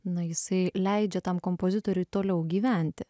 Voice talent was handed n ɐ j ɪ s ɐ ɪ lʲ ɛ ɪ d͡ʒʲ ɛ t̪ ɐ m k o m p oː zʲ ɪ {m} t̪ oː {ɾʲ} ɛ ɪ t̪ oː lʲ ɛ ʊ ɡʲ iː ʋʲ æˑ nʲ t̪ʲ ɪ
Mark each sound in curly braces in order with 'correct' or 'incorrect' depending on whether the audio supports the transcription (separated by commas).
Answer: incorrect, correct